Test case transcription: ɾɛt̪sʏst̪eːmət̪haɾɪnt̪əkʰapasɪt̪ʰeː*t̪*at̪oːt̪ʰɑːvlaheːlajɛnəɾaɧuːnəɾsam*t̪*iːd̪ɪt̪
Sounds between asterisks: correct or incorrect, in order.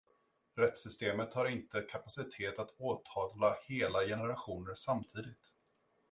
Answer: correct, incorrect

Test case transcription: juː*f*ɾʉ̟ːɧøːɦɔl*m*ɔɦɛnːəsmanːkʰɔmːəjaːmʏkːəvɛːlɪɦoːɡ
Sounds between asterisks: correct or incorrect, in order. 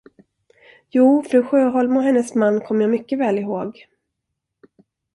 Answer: correct, correct

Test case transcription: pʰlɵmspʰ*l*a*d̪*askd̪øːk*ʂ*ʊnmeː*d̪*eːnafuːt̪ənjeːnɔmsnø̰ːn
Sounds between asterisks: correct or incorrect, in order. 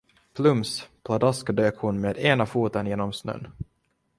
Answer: correct, correct, incorrect, correct

